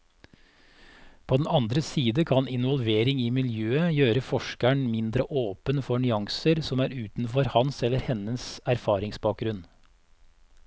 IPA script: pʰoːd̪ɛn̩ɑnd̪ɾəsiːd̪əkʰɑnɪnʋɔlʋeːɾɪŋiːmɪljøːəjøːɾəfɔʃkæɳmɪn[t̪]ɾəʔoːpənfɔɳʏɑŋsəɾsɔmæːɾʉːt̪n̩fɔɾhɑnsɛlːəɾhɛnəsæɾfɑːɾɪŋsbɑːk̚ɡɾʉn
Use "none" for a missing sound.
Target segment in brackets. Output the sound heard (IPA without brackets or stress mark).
d̪